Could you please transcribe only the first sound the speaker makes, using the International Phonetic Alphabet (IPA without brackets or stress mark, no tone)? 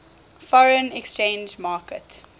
f